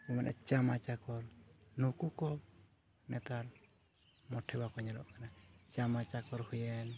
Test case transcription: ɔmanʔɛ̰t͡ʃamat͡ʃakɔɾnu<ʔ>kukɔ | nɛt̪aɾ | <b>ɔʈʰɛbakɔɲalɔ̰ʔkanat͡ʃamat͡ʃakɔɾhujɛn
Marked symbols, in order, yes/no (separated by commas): no, no